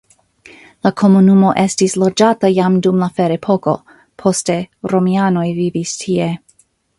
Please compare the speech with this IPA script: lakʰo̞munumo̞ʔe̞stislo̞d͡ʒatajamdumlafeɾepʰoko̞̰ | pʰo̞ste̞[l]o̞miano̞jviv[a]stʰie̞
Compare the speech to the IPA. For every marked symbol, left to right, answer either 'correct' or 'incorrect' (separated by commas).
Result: incorrect, incorrect